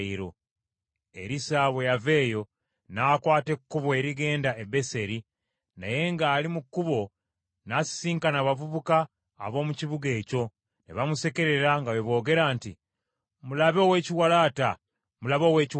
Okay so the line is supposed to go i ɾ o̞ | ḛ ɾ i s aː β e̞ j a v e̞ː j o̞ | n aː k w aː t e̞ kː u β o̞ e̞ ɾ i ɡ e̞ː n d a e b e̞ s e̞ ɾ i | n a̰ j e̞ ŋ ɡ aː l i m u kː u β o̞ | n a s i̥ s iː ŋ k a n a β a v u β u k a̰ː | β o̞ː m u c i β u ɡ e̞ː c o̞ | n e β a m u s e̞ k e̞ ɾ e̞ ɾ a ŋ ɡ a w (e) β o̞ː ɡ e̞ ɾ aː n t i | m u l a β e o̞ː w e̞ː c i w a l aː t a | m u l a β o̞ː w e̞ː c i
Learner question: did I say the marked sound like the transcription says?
yes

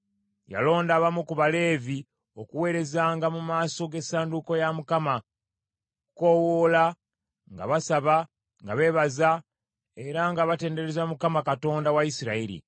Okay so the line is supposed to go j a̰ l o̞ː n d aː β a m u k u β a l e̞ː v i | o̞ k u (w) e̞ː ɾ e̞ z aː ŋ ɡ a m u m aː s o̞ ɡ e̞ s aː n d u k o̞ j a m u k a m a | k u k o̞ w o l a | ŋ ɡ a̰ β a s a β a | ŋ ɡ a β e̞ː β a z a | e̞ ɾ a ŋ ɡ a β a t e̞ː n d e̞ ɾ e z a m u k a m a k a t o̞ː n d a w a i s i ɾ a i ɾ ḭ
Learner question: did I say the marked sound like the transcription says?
yes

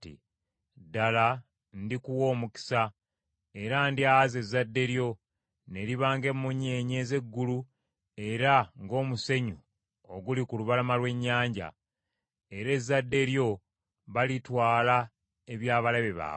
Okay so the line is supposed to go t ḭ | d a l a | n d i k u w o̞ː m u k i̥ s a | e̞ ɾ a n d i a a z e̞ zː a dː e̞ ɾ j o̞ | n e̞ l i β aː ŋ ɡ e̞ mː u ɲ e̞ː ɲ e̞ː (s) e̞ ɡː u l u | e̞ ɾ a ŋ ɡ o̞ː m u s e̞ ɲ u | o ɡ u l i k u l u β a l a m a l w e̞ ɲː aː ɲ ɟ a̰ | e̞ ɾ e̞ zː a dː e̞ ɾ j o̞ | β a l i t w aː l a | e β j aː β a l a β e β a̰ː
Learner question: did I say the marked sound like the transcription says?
no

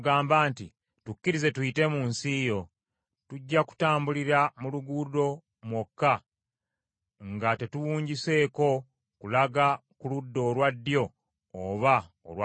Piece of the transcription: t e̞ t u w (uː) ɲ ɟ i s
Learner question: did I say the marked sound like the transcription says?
yes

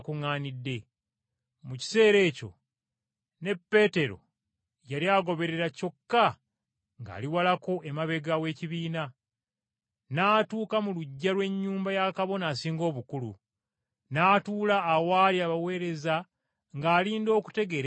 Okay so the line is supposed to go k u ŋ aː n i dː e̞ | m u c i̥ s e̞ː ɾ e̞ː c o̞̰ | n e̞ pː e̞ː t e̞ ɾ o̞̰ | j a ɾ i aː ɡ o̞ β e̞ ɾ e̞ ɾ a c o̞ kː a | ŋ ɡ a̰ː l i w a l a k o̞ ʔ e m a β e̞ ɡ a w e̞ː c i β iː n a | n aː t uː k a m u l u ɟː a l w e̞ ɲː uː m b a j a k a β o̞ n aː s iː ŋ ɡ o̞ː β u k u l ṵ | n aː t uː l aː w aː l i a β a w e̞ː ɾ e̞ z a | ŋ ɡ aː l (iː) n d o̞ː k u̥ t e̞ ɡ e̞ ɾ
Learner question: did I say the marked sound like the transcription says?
yes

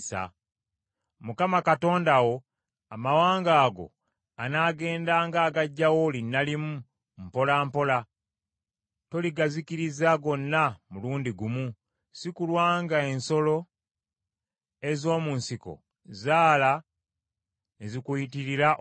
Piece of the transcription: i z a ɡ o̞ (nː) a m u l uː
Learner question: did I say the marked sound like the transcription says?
yes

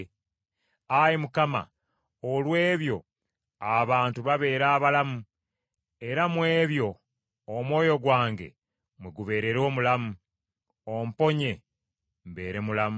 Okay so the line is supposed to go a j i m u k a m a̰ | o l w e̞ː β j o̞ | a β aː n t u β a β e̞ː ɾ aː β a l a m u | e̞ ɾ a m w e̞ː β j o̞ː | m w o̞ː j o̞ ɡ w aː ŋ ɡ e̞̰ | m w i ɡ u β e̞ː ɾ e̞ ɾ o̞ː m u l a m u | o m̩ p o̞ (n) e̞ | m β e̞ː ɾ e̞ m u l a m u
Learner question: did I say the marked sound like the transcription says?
no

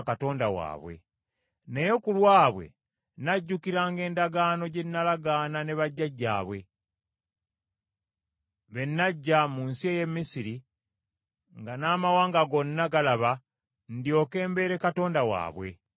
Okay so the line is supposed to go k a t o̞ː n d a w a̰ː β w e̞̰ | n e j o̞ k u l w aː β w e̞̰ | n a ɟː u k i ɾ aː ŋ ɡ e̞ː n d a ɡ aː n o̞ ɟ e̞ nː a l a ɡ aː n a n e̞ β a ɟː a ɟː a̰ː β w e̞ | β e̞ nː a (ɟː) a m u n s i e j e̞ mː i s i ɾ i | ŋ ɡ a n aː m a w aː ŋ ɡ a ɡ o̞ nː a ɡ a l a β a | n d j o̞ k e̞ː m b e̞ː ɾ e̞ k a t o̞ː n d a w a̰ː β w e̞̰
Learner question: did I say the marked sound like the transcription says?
yes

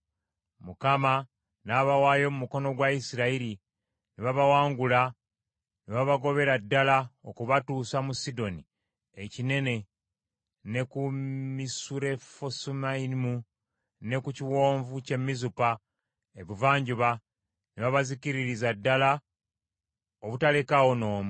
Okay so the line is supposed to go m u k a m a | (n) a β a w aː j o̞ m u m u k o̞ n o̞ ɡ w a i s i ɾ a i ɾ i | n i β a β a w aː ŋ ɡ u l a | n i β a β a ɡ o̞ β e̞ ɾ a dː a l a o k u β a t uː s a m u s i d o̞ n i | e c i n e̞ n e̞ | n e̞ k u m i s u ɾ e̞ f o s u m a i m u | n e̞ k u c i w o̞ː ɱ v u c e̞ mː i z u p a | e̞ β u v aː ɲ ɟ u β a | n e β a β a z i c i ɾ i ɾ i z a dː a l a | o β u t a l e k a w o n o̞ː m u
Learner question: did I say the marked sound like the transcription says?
yes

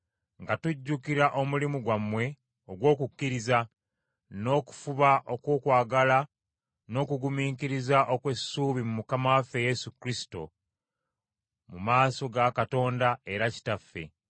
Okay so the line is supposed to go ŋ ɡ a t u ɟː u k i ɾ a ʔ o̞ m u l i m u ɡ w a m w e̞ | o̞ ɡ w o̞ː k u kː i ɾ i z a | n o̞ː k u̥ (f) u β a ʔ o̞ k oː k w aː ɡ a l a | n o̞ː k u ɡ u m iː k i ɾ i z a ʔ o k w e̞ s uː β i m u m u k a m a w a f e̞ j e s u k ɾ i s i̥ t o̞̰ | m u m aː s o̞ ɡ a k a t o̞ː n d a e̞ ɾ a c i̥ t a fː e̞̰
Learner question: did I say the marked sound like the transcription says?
yes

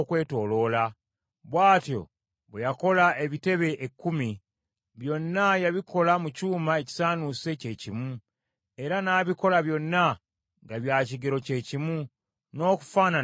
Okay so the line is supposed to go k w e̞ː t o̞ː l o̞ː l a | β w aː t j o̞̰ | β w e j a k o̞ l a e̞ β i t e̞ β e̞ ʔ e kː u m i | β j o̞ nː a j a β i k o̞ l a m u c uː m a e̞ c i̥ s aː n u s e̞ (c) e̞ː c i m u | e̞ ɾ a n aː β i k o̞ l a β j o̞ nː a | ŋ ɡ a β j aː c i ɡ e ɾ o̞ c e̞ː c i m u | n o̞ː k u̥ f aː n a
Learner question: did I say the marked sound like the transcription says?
yes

